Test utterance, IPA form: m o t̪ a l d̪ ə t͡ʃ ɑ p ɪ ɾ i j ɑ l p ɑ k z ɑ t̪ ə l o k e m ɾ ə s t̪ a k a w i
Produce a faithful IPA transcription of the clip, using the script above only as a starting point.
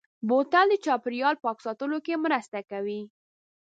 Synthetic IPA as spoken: b o t̪ a l d̪ ə t͡ʃ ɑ p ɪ ɾ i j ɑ l p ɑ k s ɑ t̪ ə l o k e m ɾ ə s t̪ a k a w i

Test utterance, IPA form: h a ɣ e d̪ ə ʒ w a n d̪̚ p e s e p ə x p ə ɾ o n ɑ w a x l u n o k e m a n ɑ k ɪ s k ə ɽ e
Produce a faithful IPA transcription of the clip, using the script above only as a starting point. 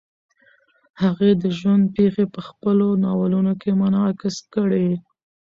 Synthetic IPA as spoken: h a ɣ e d̪ ə ʒ w a n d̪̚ p e x e p ə x p ə l o n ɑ w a l u n o k e m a n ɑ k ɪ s k ə ɽ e

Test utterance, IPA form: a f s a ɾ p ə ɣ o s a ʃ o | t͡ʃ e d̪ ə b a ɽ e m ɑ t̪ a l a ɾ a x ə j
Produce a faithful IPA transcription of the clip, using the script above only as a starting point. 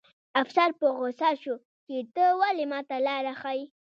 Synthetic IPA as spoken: a f s a ɾ p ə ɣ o s a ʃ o | t͡ʃ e t̪ ə w a l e m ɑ t̪ a l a ɾ a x a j

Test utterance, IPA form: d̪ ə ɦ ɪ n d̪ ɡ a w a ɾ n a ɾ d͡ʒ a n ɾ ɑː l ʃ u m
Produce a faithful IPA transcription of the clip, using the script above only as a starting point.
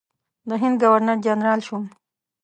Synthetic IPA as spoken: d̪ ə ɦ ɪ n d̪ ɡ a w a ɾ n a ɾ d͡ʒ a n ɾ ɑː l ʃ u m

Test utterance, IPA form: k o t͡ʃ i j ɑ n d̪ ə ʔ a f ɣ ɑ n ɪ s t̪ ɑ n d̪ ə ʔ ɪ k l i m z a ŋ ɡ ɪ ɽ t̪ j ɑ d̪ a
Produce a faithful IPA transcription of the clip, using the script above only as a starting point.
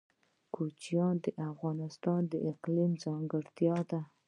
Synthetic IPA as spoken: k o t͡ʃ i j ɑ n d̪ ə ʔ a f ɣ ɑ n ɪ s t̪ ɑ n d̪ ə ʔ ɪ q l i m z ɑ ŋ ɡ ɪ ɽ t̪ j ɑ d̪ a

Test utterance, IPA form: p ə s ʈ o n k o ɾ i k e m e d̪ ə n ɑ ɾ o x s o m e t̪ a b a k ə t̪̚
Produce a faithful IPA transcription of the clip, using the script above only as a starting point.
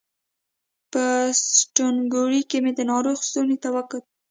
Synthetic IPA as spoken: p ə s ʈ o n ɡ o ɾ i k e m e d̪ ə n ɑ ɾ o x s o n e t̪ a w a k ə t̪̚

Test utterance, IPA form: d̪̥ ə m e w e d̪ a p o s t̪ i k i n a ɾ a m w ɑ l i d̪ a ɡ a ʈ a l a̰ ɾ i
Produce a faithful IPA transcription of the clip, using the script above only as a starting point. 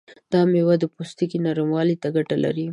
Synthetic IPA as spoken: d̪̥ ɑ m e w a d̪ ə p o s t̪ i k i n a ɾ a m w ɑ l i t̪ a ɡ a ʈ a l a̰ ɾ i

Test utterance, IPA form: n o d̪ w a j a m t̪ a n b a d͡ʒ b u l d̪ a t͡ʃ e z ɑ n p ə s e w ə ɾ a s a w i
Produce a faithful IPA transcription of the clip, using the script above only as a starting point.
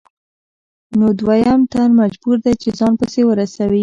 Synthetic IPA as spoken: n o d̪ w a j a m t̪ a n m a d͡ʒ b u ɾ d̪ a t͡ʃ e z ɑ n p ə s e w ə ɾ a s a w i

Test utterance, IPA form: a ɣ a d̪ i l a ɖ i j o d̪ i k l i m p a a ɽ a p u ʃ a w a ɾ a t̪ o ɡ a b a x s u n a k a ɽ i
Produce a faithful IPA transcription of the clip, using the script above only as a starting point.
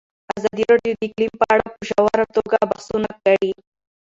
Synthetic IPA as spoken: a z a d̪ i ɾ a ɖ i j o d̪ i k l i m p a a ɽ a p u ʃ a w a ɾ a t̪ o ɡ a b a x s u n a k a ɽ i

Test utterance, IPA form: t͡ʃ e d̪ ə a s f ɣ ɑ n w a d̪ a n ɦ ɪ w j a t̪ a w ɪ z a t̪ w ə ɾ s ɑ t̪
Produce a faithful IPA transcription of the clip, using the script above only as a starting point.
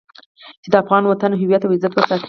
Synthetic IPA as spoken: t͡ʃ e d̪ ə a f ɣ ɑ n w a t̪ a n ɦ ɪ w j a t̪ a w ɪ z a t̪ w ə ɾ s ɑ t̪

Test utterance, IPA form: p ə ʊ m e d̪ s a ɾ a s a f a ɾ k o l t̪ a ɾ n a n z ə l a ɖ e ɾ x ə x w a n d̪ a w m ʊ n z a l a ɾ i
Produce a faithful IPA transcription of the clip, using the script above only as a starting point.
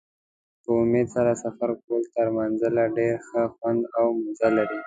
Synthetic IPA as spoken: p ə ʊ m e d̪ s a ɾ a s a f a ɾ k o l t̪ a ɾ m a n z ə l a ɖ e ɾ x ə x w a n d̪ a w m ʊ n z a l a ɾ i

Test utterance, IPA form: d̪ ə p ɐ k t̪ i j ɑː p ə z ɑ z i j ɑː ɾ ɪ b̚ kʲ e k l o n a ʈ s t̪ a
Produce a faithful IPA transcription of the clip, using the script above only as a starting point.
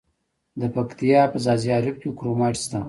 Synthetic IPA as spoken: d̪ ə p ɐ k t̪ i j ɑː p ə z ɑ z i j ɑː ɾ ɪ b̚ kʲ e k ɾ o m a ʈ s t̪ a

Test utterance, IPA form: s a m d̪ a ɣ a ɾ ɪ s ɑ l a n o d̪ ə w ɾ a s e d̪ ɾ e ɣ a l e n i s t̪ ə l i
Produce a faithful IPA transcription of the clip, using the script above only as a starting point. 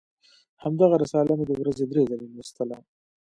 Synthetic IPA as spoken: h a m d̪ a ɣ a ɾ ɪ s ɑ l a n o d̪ ə w ɾ a z e d̪ ɾ e z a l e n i s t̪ ə l a

